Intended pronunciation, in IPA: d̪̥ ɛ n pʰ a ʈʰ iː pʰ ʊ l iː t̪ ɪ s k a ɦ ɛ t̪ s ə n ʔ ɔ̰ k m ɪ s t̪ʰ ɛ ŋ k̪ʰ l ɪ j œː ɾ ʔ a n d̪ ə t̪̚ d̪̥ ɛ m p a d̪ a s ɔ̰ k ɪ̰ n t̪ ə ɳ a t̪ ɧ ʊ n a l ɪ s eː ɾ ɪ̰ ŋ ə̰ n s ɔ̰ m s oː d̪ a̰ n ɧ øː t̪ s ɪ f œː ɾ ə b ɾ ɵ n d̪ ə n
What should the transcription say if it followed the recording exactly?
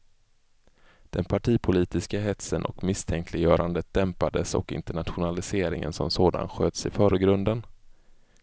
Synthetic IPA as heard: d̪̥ ɛ n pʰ a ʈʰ iː pʰ ʊ l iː t̪ ɪ s k a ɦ ɛ t̪ s ə n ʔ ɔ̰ k m ɪ s t̪ʰ ɛ ŋ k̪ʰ l ɪ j œː ɾ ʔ a n d̪ ə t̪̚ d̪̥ ɛ m p a d̪ ə s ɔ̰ k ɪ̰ n t̪ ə ɳ a t̪ ɧ ʊ n a l ɪ s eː ɾ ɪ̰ ŋ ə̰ n s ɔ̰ m s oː d̪ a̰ n ɧ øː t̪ s ɪ f œː ɾ ə ɡ ɾ ɵ n d̪ ə n